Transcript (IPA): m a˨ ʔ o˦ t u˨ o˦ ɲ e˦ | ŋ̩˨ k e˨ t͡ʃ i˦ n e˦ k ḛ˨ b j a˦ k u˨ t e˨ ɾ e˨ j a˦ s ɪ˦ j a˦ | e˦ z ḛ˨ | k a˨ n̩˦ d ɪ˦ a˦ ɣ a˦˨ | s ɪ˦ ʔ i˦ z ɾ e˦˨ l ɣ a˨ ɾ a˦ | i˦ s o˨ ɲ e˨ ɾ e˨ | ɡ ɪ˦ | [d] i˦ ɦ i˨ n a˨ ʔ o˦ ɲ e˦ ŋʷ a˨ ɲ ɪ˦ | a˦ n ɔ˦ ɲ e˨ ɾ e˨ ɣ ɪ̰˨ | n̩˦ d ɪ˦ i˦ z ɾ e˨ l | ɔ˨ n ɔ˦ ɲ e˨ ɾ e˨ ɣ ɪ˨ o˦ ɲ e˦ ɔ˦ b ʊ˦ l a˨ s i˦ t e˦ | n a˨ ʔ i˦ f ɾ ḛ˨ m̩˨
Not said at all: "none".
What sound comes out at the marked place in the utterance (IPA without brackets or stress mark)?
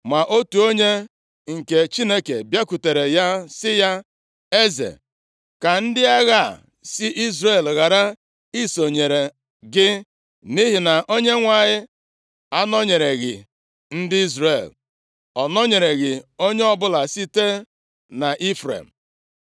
n